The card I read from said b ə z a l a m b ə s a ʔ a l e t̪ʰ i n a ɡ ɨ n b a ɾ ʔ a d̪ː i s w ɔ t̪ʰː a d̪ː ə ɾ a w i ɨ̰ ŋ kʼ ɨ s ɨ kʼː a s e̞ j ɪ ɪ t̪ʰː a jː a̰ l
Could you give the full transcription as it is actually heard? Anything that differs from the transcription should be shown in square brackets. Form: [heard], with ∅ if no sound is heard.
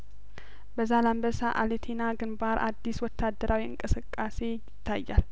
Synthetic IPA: b ə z a l a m b ə s a ʔ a l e t̪ʰ i n a ɡ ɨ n b a ɾ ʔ a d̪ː i s w ɔ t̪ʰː a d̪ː ə ɾ a w i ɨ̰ ŋ kʼ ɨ s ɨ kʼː a s e̞ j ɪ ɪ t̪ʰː a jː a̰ l